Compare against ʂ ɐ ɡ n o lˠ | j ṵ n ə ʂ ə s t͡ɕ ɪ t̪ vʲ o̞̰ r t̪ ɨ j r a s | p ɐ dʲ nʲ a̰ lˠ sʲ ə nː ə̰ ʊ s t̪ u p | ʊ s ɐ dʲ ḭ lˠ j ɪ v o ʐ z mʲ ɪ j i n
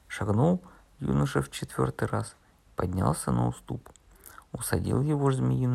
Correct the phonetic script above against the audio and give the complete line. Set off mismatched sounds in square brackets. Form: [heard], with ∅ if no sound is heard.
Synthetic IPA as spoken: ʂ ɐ ɡ n o lˠ | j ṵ n ə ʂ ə [f] t͡ɕ ɪ t̪ vʲ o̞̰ r t̪ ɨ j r a s | p ɐ dʲ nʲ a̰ lˠ sʲ ə [n] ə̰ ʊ s t̪ u p | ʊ s ɐ dʲ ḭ lˠ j ɪ v o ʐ z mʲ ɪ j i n